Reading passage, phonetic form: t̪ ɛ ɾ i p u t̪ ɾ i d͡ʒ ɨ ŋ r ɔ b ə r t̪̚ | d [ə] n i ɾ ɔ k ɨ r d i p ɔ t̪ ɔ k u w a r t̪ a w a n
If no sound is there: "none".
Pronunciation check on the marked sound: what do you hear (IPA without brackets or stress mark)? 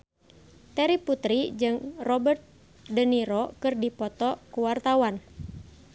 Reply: ə